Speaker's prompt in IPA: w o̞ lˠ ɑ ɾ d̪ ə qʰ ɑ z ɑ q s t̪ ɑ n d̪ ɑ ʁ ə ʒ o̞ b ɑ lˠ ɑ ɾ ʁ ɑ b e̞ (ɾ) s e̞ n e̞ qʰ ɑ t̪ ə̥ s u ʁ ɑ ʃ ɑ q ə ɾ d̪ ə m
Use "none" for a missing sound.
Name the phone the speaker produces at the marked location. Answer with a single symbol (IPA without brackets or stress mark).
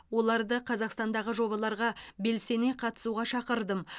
l